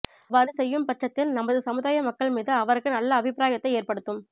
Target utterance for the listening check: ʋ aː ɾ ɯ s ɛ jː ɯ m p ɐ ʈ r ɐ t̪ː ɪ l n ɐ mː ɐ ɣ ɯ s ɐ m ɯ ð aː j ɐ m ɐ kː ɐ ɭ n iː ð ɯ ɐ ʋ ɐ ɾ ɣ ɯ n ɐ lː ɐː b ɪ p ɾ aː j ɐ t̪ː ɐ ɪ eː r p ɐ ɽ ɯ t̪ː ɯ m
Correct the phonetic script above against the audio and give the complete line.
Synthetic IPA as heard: ʋ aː ɾ ɯ s ɛ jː ɯ m p ɐ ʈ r ɐ t̪ː ɪ l n ɐ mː ɐ ð ɯ s ɐ m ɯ ð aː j ɐ m ɐ kː ɐ ɭ m iː ð ɯ ɐ ʋ ɐ ɾ ɣ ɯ n ɐ lː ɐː b ɪ p ɾ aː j ɐ t̪ː ɐ ɪ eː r p ɐ ɽ ɯ t̪ː ɯ m

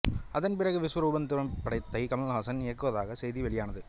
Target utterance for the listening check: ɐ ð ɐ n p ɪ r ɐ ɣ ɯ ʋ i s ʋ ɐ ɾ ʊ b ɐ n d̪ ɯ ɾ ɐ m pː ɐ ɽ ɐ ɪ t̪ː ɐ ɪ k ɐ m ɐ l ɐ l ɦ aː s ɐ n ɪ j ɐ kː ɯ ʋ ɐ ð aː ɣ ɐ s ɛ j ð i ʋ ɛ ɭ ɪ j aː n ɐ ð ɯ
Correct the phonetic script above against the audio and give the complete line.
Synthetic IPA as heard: ɐ ð ɐ n p ɪ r ɐ ɣ ɯ ʋ ɪ s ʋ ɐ ɾ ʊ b ɐ n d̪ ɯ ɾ ɐ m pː ɐ ɽ ɐ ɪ t̪ː ɐ ɪ k ɐ m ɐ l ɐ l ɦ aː s ɐ n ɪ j ɐ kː ɯ ʋ ɐ ð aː ɣ ɐ s ɛ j ð i ʋ ɛ ɭ ɪ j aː n ɐ ð ɯ

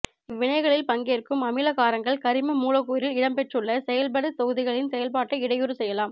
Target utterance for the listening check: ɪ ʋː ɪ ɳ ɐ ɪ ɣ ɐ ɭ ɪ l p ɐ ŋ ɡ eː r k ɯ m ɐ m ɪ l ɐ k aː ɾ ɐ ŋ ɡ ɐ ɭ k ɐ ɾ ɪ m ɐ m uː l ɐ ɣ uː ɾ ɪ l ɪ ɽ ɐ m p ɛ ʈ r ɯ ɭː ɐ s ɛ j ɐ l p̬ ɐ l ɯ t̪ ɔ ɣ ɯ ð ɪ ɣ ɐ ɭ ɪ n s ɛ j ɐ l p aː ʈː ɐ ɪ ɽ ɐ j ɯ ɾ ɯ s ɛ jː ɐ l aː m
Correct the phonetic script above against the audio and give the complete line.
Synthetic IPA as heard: ɪ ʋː ɪ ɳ ɐ ɪ ɣ ɐ ɭ ɪ l p ɐ ŋ ɡ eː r k ɯ m ɐ m ɪ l ɐ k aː ɾ ɐ ŋ ɡ ɐ ɭ k ɐ ɾ ɪ m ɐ m uː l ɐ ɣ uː ɾ ɪ l ɪ ɽ ɐ m p ɛ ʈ r ɯ ɭː ɐ s ɛ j ɐ l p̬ ɐ ɽ ɯ t̪ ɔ ɣ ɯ ð ɪ ɣ ɐ ɭ ɪ n s ɛ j ɐ l p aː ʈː ɐ ɪ ɽ ɐ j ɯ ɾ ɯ s ɛ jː ɐ l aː m

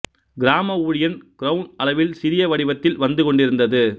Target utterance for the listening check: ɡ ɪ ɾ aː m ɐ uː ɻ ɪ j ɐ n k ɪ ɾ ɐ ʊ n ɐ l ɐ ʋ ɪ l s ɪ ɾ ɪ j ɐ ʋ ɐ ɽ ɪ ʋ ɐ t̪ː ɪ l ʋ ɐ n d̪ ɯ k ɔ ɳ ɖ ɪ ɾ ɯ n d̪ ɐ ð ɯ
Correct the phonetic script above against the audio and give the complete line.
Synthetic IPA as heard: ɡ ɪ ɾ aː m ɐ uː ɻ ɪ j ɐ n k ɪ ɾ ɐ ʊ n ɐ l ɐ ʋ ɪ l s ɪ ɾ ɪ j ɐ ʋ ɐ ɽ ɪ ʋ ɐ t̪ː ɪ l ʋ ɐ n d̪ ɯ k ɔ ɳ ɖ ɪ ɾ ɯ n d̪ ɐ ð ɯ

